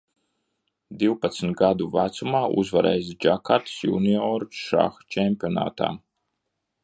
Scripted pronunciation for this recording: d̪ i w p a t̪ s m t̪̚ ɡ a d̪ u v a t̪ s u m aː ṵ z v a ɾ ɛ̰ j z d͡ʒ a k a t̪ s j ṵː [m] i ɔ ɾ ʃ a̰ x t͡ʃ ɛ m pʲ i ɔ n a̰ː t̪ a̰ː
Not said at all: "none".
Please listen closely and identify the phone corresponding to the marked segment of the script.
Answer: n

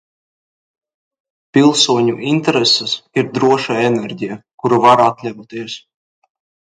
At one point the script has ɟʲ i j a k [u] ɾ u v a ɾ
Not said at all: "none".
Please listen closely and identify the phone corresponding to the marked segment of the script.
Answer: u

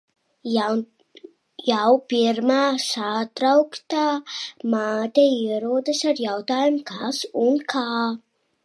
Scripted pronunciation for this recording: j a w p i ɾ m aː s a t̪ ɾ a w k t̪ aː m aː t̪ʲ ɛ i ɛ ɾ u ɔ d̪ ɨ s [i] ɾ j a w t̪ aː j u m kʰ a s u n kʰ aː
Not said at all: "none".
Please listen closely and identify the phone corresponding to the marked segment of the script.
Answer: a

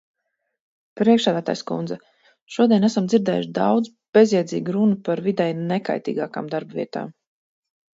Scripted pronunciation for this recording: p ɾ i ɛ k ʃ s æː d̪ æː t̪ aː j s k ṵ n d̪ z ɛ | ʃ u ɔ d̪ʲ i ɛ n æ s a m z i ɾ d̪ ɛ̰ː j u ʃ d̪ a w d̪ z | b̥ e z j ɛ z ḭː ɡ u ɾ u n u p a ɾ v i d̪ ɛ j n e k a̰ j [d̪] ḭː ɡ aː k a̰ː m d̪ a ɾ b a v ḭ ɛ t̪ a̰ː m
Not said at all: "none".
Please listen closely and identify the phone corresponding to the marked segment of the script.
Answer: t̪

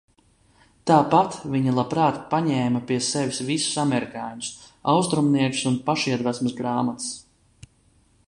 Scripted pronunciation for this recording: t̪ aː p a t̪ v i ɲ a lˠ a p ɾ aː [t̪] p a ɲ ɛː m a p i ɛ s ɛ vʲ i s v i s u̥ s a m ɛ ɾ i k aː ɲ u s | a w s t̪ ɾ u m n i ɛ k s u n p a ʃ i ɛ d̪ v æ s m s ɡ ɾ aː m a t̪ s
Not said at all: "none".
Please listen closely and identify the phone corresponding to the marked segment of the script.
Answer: t̪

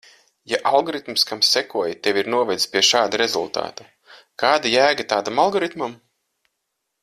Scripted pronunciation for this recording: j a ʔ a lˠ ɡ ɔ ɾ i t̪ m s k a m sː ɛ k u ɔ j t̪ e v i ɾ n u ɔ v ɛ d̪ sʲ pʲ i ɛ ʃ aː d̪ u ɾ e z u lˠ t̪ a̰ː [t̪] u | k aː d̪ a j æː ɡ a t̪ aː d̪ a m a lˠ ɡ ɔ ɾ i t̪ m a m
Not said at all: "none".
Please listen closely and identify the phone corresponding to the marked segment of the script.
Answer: t̪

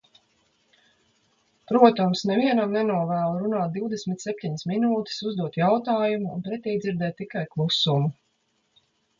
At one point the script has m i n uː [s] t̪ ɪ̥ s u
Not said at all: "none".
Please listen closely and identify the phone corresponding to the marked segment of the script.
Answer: none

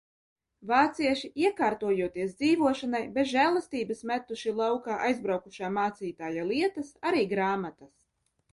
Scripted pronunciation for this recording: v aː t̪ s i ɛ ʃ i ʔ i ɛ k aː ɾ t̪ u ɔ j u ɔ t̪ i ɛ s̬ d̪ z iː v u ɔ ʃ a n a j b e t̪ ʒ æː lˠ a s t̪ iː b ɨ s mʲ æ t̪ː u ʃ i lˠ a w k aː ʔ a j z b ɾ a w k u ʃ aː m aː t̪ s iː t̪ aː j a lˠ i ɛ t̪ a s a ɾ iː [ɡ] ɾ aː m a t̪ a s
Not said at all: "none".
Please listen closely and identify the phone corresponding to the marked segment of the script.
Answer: ɡ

